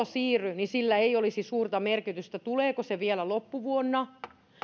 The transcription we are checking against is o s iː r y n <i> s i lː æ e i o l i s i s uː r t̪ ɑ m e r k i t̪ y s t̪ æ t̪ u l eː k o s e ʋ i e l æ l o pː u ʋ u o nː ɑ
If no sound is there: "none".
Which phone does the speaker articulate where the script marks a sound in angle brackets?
i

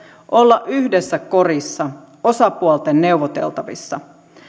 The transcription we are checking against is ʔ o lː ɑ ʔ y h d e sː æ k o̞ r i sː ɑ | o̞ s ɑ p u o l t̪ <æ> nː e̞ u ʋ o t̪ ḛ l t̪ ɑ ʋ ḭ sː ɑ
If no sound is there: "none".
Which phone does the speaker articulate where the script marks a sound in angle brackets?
e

